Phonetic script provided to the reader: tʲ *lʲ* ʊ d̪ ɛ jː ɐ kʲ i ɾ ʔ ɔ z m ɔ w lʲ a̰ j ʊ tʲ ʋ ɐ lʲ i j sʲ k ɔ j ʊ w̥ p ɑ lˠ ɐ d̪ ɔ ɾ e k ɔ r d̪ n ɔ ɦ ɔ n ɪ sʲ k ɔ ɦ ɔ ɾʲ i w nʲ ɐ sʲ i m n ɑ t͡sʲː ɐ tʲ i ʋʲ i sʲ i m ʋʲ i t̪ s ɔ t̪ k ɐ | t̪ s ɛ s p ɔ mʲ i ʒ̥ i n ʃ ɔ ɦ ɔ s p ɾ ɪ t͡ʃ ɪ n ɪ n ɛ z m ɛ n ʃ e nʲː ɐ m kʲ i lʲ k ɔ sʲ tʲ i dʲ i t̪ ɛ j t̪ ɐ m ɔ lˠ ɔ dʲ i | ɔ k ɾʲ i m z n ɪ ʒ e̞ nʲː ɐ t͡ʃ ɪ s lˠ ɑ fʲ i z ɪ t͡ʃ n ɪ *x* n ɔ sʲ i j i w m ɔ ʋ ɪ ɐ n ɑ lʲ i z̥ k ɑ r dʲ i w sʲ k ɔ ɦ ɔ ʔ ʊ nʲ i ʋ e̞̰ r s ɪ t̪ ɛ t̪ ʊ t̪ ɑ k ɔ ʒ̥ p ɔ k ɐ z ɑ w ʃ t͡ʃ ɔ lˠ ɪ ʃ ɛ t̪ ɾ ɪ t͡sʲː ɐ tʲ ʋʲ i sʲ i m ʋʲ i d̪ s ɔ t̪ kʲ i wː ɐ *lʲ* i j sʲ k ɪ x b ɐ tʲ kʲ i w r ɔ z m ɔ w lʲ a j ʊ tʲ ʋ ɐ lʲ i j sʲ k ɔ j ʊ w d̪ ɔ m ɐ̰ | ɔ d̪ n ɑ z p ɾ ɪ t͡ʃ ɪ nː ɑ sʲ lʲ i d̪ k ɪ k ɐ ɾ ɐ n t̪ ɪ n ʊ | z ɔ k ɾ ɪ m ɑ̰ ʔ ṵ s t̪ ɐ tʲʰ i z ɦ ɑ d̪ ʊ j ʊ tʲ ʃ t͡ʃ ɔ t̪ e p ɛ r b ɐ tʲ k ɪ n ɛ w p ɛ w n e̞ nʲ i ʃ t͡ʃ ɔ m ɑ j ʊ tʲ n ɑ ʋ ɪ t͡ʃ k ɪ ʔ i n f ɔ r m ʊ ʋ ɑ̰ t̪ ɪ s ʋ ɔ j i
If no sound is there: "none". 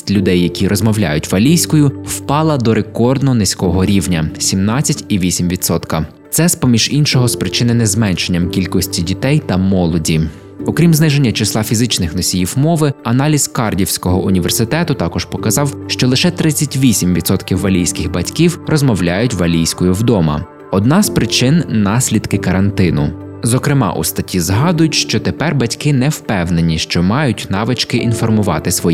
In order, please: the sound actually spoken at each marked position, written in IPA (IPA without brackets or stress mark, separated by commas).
lʲ, x, lʲ